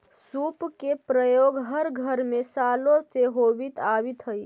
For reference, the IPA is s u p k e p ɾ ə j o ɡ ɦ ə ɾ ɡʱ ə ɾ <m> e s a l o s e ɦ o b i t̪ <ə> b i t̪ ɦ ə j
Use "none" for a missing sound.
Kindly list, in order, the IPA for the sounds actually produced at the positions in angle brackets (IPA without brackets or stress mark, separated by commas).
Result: m, a